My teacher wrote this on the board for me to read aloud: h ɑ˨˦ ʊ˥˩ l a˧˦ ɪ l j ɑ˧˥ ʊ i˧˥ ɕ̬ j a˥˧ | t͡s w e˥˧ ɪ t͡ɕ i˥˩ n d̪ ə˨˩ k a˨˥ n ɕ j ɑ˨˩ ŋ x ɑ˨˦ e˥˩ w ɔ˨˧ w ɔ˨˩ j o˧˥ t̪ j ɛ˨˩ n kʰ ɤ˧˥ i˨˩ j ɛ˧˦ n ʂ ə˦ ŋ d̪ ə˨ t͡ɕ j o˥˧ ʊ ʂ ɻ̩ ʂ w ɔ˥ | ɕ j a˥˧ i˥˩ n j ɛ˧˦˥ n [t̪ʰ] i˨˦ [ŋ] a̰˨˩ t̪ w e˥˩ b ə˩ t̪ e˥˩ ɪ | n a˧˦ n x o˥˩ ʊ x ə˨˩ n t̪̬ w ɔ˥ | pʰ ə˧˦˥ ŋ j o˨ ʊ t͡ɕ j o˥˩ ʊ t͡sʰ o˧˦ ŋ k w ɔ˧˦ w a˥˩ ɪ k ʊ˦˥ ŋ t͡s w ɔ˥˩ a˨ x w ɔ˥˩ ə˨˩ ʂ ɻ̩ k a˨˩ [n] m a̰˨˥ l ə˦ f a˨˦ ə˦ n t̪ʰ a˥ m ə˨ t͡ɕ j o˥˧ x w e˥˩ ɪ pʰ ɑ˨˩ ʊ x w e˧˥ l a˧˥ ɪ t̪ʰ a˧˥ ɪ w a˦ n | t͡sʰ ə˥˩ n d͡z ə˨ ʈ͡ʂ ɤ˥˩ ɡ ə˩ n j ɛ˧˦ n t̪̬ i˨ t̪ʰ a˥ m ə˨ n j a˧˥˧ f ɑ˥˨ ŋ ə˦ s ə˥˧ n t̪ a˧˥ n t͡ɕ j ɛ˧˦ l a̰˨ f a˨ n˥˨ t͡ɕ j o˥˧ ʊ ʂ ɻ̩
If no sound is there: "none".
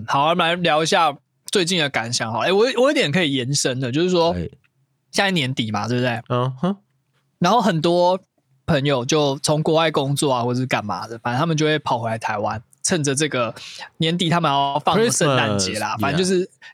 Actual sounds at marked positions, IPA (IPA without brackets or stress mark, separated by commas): t̪, m, n